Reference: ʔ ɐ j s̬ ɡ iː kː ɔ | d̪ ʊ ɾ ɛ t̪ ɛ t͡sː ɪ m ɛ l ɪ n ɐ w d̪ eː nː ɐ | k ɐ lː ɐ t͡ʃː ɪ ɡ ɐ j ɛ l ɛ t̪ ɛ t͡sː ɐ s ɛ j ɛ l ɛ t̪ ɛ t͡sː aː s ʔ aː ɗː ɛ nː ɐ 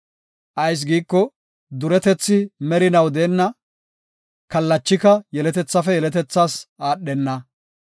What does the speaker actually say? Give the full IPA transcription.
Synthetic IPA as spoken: ʔ ɐ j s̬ ɡ iː kː ɔ | d̪ ʊ ɾ ɛ t̪ ɛ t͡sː ɪ m ɛ ɾ ɪ n ɐ w d̪ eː nː ɐ | k ɐ lː ɐ t͡ʃː ɪ k ɐ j ɛ l ɛ t̪ ɛ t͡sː ɐ f ɛ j ɛ l ɛ t̪ ɛ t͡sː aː s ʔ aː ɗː ɛ nː ɐ